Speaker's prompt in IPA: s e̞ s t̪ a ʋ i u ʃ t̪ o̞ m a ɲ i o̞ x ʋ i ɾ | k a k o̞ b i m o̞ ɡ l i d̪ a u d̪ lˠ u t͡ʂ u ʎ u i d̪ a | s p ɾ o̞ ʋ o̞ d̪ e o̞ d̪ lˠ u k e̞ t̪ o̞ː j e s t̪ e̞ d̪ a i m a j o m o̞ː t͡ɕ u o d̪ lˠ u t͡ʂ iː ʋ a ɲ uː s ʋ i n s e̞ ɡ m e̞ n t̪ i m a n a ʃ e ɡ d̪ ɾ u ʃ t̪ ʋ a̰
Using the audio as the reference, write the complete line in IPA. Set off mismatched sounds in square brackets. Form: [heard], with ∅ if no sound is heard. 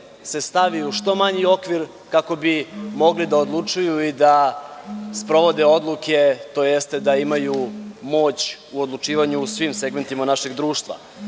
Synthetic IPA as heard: s e̞ s t̪ a ʋ i u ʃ t̪ o̞ m a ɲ i o̞ [k] ʋ i ɾ | k a k o̞ b i m o̞ ɡ l i d̪ a [o] d̪ lˠ u t͡ʂ u [j] u i d̪ a | s p ɾ o̞ ʋ o̞ d̪ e o̞ d̪ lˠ u k e̞ t̪ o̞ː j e s t̪ e̞ d̪ a i m a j [u] m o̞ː t͡ɕ u o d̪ lˠ u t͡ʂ iː ʋ a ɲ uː s ʋ i [m] s e̞ ɡ m e̞ n t̪ i m a n a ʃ e ɡ d̪ ɾ [uː] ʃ t̪ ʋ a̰

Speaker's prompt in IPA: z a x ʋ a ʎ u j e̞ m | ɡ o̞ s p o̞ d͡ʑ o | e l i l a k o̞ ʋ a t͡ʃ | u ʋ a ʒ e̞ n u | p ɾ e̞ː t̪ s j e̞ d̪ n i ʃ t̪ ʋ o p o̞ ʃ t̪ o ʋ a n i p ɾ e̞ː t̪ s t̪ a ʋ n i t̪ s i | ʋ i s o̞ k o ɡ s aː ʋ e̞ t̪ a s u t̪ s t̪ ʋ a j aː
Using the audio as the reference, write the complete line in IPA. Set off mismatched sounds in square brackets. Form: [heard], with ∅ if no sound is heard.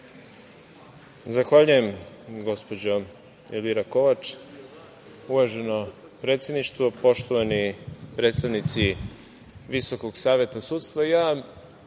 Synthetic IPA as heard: z a x ʋ a ʎ u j e̞ m | ɡ o̞ s p o̞ d͡ʑ o | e l i [ɾ] a k o̞ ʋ a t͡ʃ | u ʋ a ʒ e̞ n [o] | p ɾ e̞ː t̪ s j e̞ d̪ n i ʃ t̪ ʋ o p o̞ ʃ t̪ o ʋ a n i p ɾ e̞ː t̪ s t̪ a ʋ n i t̪ s i | ʋ i s o̞ k o ɡ s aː ʋ e̞ t̪ a s u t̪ s t̪ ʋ a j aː

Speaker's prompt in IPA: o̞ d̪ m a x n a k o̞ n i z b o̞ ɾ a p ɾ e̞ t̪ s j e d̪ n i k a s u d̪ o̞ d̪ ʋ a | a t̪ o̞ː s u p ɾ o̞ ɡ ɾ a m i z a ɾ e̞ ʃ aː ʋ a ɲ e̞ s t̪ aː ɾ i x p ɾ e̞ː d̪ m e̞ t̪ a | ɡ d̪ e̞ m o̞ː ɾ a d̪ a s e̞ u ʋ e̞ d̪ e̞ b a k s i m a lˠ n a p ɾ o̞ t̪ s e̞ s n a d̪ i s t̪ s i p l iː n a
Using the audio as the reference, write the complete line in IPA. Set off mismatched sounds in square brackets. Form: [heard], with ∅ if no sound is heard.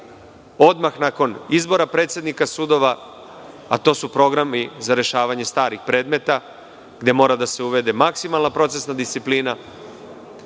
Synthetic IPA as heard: o̞ d̪ m a x n a k o̞ n i z b o̞ ɾ a p ɾ e̞ t̪ s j e d̪ n i k a s u d̪ o̞ [∅] ʋ a | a t̪ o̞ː s u p ɾ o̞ ɡ ɾ a m i z a ɾ e̞ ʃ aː ʋ a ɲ e̞ s t̪ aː ɾ i x p ɾ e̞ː d̪ m e̞ t̪ a | ɡ d̪ e̞ m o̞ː ɾ a d̪ a s e̞ u ʋ e̞ d̪ e̞ [m] a k s i m a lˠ n a p ɾ o̞ t̪ s e̞ s n a d̪ i s t̪ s i p l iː n a

